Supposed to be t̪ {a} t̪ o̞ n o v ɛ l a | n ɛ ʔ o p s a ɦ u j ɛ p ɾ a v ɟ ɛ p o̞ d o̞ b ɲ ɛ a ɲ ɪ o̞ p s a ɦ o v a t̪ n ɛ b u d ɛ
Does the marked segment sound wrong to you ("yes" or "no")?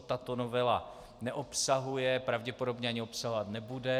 no